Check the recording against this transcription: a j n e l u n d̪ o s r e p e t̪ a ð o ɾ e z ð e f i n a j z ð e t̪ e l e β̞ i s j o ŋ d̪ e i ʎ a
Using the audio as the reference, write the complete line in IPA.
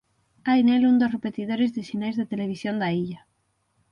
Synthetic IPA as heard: a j n e l u n d̪ o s r e p e t̪ i ð o ɾ e z ð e s i n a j z ð e t̪ e l e β̞ i s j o n d̪ a i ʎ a